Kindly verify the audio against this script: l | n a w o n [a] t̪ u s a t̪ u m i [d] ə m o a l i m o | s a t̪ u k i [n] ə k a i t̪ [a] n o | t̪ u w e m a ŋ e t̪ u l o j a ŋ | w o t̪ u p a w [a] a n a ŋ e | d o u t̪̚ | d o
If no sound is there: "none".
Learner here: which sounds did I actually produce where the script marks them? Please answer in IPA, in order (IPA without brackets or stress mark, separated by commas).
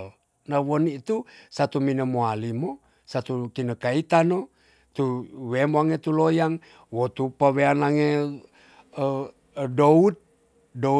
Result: i, n, n, a, e